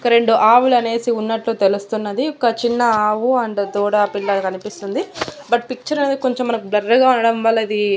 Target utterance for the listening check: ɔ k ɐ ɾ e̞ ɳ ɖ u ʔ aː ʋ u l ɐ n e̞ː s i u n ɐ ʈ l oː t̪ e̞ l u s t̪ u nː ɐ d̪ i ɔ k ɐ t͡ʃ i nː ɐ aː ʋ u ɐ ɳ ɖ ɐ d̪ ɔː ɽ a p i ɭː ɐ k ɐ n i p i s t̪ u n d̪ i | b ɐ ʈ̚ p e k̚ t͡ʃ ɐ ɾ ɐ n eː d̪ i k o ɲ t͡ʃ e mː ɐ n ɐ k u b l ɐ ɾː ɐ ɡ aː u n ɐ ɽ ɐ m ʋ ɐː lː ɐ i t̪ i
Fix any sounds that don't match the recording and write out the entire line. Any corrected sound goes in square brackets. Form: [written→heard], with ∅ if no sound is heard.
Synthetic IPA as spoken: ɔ k ɐ ɾ e̞ ɳ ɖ u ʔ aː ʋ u l ɐ n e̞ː s i u [n→nː] ɐ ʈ l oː t̪ e̞ l u s t̪ u nː ɐ d̪ i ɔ k ɐ t͡ʃ i nː ɐ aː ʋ u ɐ ɳ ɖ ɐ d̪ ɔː ɽ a p i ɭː ɐ k ɐ n i p i s t̪ u n d̪ i | b ɐ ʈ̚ p [e→i] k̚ t͡ʃ ɐ ɾ ɐ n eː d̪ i k o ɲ t͡ʃ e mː ɐ n ɐ k u b l ɐ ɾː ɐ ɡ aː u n ɐ ɽ ɐ m ʋ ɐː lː ɐ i [t̪→d̪] i